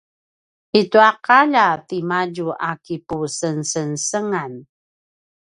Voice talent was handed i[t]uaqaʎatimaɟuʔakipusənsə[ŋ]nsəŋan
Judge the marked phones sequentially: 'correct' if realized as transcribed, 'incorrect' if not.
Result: correct, incorrect

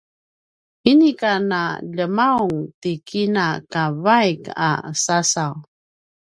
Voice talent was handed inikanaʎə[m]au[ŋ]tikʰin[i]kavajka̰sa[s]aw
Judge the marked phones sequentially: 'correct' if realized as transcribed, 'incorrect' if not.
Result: correct, correct, incorrect, correct

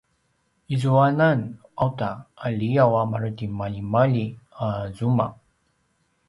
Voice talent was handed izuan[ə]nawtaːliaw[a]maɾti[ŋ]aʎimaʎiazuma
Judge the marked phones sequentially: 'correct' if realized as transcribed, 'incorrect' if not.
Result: incorrect, correct, incorrect

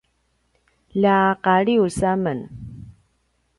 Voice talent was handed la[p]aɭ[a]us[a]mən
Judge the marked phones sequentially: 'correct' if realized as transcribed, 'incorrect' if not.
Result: incorrect, incorrect, correct

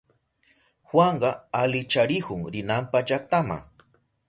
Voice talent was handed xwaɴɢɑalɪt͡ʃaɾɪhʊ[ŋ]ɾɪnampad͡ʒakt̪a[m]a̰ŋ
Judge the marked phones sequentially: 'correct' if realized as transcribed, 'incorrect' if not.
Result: correct, correct

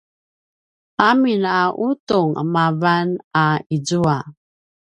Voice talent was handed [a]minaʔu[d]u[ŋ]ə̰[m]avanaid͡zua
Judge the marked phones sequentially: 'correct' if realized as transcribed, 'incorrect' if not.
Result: correct, incorrect, correct, correct

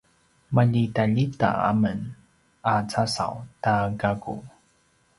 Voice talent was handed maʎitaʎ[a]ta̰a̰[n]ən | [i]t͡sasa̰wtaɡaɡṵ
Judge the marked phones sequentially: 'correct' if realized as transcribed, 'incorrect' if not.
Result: incorrect, incorrect, incorrect

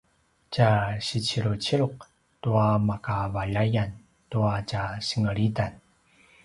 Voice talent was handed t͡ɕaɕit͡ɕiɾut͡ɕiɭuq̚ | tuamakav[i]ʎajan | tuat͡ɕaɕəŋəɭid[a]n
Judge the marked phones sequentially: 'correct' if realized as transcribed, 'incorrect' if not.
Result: incorrect, correct

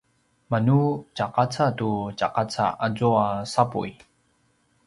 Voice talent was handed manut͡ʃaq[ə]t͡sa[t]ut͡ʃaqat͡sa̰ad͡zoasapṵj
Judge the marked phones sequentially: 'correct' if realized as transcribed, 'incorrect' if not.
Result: incorrect, correct

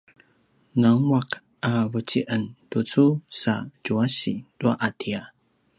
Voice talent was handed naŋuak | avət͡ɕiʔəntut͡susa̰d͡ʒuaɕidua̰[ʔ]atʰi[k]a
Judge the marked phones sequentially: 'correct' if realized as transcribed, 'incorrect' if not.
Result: correct, incorrect

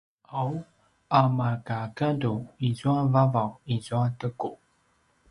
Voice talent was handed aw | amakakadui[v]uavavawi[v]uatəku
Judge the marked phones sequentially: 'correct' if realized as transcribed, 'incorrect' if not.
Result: incorrect, incorrect

